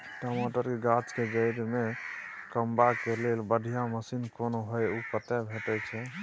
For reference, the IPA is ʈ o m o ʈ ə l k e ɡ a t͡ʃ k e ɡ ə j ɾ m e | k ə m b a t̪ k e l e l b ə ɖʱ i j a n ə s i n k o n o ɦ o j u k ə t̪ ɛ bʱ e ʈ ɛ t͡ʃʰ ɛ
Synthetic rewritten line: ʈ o m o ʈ ə ɾ k e ɡ a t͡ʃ k e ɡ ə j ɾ m e | k ə m b a k e l e l b ə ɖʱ i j a m ə s i n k o n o ɦ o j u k ə t̪ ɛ bʱ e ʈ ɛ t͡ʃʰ ɛ